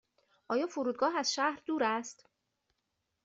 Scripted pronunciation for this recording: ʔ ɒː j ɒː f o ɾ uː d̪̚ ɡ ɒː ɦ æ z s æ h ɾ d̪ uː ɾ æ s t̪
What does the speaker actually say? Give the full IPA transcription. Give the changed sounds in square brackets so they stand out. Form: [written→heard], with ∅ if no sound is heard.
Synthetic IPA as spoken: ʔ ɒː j ɒː f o ɾ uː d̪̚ ɡ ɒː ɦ æ z [s→ʃ] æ h ɾ d̪ uː ɾ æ s t̪